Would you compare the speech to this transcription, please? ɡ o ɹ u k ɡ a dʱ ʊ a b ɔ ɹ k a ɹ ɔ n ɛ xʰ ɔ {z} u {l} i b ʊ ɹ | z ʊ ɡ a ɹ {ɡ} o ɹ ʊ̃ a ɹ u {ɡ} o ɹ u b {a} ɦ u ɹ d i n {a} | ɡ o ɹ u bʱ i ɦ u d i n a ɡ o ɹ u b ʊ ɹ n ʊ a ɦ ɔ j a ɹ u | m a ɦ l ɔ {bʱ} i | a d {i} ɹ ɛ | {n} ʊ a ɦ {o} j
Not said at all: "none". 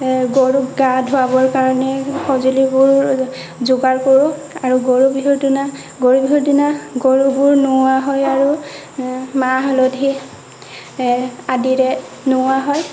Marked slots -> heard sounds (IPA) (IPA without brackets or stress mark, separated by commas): z, l, k, ɡ, i, a, dʱ, i, n, ɔ